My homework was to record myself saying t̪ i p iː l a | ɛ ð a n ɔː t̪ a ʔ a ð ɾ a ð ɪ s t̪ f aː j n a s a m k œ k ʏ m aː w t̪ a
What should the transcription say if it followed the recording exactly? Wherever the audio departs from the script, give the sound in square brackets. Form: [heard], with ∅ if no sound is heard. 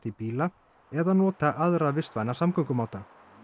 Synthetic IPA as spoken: t̪ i p iː l a | ɛ ð a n ɔː t̪ a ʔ a ð ɾ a [v] ɪ s t̪ [v] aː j n a s a m k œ k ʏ m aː w t̪ a